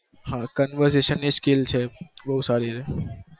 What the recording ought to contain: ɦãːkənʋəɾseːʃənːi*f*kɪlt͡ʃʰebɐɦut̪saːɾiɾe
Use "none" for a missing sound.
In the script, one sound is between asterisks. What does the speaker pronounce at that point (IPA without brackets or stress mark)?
s